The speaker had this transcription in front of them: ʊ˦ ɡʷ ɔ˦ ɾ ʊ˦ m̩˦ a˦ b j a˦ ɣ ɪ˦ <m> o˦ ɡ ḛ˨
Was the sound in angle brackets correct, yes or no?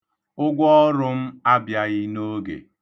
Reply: no